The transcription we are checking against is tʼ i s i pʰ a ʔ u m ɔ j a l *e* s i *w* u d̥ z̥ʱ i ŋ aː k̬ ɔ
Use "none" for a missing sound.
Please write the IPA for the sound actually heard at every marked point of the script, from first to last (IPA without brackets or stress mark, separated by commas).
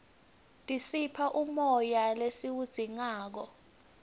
e, w